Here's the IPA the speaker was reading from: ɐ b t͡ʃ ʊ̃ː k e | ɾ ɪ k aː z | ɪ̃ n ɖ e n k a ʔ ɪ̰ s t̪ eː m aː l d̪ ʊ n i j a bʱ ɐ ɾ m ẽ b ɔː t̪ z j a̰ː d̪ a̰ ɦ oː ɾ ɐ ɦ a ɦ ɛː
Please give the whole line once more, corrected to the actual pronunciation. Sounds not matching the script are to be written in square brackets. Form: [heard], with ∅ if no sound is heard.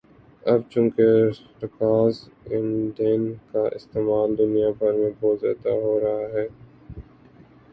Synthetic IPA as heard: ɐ b t͡ʃ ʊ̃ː k e | ɾ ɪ k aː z | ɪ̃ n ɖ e n k a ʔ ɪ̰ s t̪ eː m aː l d̪ ʊ n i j a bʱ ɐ ɾ m ẽ b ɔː t̪ z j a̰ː d̪ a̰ ɦ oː ɾ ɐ ɦ a ɦ ɛː